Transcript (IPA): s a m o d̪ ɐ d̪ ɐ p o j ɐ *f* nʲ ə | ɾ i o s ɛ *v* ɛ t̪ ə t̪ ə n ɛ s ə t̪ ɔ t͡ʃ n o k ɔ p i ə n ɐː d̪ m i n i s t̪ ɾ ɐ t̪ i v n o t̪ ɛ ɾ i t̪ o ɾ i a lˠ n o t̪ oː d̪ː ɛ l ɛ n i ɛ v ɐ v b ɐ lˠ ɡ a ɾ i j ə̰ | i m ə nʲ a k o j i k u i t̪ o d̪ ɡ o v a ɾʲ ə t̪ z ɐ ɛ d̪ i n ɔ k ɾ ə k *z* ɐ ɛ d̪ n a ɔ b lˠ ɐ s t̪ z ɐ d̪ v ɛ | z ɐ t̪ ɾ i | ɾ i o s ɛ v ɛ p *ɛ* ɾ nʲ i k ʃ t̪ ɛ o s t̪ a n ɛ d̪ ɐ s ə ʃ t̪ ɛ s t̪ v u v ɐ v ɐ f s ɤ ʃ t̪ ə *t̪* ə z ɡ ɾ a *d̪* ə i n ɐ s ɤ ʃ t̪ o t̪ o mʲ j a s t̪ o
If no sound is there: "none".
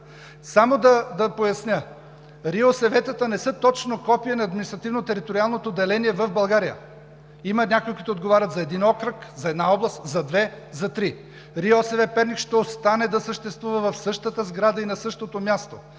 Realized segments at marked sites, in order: s, v, z, ɛ, t̪, d̪

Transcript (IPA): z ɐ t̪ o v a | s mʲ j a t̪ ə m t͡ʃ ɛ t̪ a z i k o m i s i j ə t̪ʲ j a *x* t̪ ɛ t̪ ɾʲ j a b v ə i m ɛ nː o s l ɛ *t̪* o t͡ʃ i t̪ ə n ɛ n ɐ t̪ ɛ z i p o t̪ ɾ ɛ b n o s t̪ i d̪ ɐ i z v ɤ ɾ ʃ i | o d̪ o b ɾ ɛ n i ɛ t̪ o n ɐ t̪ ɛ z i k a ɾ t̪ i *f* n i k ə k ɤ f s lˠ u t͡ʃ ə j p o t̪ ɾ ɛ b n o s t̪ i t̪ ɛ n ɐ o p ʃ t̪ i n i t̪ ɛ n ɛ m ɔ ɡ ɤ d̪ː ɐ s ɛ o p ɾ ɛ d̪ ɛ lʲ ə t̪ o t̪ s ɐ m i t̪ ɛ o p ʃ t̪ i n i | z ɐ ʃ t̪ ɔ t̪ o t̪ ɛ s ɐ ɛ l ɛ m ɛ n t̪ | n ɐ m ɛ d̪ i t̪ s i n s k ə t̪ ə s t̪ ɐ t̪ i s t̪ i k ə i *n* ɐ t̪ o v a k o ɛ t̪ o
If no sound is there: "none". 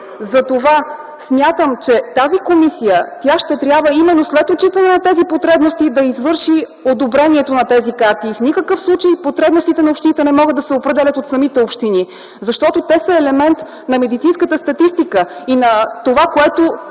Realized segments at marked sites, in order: ʃ, t̪, f, n

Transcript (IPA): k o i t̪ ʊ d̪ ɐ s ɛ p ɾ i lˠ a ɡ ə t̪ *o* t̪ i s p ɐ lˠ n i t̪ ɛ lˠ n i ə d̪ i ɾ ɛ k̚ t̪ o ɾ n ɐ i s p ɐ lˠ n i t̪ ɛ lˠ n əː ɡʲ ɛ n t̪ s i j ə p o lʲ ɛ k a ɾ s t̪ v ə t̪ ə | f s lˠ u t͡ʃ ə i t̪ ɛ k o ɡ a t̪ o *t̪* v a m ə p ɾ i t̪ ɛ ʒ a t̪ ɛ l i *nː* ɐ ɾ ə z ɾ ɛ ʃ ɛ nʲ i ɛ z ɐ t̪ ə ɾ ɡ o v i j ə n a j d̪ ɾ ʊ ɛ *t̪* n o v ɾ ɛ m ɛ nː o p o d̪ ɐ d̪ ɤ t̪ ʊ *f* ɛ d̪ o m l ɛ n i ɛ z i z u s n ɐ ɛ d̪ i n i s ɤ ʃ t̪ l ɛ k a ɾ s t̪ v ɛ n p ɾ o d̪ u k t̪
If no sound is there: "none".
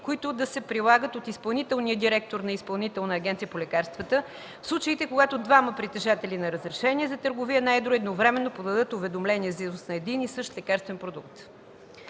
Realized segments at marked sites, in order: o, d̪, n, d̪, v

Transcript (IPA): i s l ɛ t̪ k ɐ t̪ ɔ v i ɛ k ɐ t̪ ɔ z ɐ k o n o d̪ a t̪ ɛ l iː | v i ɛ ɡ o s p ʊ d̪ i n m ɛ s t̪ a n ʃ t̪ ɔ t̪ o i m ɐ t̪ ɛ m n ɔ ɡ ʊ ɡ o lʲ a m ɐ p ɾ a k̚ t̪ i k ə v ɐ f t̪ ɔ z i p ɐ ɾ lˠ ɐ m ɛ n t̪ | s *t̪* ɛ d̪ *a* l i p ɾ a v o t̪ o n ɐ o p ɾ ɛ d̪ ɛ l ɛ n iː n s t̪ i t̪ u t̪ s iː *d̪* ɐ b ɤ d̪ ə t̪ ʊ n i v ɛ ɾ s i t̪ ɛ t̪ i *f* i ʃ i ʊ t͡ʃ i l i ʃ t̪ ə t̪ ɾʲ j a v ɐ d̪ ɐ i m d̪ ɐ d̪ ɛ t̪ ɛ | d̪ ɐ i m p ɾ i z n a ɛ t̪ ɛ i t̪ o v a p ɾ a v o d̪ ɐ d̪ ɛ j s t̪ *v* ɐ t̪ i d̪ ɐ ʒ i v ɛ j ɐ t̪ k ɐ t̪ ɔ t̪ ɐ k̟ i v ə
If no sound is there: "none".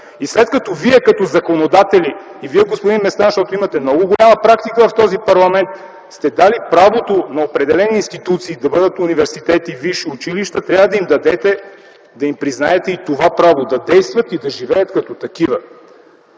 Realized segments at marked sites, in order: t̪, a, d̪, v, v

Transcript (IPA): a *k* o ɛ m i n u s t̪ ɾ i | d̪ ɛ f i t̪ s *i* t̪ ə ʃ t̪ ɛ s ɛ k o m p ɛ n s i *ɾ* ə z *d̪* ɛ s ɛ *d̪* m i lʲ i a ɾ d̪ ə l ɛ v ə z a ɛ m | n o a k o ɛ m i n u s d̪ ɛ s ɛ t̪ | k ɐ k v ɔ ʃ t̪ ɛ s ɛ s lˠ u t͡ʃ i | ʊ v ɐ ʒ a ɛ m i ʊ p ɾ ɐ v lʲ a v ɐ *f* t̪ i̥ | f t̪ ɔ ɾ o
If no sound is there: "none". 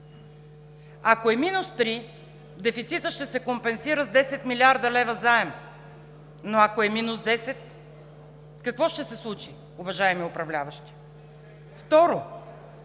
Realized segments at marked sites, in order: k, i, ɾ, d̪, t̪, ʃ

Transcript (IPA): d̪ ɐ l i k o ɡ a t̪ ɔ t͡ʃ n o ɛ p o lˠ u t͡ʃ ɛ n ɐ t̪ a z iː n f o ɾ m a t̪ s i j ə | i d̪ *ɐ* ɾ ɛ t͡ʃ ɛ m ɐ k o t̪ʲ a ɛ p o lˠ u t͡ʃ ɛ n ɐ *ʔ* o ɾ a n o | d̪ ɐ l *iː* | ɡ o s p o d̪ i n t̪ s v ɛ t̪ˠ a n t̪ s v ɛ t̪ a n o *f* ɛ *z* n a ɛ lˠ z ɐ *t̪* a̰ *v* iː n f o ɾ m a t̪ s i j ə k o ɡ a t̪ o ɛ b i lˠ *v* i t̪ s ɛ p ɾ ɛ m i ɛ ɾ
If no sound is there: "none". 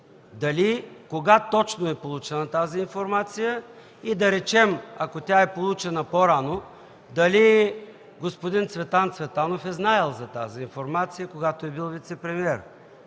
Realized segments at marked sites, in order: ɐ, p, i, f, z, t̪, z, v

